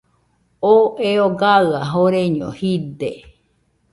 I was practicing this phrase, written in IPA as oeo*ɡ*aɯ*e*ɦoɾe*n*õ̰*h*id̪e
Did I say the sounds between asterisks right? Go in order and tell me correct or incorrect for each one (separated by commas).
correct, incorrect, incorrect, correct